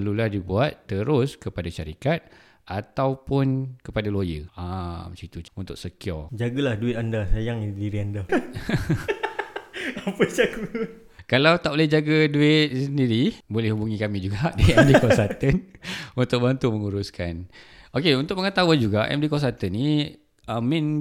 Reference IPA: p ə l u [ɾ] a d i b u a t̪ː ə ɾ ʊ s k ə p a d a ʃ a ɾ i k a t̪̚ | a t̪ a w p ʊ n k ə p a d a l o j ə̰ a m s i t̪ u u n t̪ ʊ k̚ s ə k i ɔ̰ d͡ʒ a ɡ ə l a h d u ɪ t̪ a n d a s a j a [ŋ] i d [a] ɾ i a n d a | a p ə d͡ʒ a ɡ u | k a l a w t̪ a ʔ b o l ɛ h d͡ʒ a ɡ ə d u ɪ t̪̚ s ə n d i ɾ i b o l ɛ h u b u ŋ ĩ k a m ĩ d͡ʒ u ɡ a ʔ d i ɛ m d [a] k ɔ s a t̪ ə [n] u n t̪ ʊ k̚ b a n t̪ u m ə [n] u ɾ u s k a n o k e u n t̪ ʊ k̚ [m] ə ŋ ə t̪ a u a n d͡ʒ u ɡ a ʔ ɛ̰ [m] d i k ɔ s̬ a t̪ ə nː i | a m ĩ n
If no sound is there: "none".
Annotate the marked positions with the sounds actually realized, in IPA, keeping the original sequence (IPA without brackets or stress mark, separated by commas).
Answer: l, ŋ, i, i, n, ŋ, m, m